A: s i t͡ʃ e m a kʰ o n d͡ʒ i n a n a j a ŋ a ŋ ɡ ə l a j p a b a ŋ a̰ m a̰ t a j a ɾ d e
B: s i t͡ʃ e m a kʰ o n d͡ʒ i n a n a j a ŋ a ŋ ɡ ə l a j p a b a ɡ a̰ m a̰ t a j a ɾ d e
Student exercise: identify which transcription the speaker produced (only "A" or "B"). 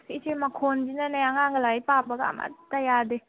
B